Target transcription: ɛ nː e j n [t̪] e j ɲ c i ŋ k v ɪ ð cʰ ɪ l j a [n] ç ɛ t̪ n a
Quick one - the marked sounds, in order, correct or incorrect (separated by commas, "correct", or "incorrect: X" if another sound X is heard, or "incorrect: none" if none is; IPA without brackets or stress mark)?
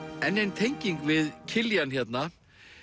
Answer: incorrect: t̪ʰ, correct